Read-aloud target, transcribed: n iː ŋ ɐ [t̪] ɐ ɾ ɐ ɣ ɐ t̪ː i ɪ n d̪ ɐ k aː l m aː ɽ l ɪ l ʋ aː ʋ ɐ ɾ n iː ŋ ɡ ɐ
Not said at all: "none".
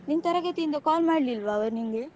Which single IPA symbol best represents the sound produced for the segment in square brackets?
t̪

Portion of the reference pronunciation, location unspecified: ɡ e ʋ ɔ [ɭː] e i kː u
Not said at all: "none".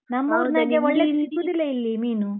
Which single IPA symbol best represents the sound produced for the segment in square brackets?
ɭː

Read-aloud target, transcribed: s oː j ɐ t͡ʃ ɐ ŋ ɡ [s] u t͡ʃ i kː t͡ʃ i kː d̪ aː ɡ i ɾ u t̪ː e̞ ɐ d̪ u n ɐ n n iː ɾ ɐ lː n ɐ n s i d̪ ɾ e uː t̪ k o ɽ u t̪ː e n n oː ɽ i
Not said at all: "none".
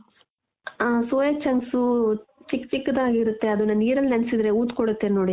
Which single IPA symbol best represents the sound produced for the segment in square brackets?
s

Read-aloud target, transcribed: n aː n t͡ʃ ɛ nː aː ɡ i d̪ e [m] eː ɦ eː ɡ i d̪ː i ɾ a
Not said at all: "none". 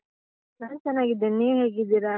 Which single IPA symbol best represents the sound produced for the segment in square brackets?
n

